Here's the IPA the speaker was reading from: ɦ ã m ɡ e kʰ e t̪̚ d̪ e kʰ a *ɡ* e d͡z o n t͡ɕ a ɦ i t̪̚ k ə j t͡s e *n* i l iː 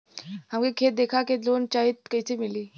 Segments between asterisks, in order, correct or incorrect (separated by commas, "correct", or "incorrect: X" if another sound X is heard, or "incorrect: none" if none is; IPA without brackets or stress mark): incorrect: k, incorrect: m